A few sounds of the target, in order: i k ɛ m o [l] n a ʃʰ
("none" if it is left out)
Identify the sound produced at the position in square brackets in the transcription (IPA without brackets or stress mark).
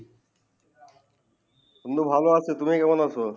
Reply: none